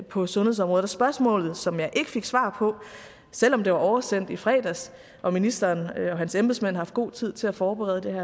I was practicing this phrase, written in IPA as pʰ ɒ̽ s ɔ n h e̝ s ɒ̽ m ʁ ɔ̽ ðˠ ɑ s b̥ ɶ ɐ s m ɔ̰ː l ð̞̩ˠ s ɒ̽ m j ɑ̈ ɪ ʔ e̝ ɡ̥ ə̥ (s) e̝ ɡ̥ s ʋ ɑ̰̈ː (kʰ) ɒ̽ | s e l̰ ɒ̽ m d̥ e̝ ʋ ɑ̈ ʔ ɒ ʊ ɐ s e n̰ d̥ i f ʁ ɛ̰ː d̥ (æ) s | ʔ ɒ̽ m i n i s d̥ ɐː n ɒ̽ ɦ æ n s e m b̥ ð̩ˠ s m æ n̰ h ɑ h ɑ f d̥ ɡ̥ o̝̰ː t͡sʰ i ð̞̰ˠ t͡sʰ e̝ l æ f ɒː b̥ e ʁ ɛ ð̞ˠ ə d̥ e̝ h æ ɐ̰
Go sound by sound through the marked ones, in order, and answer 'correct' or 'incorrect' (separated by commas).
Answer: incorrect, incorrect, correct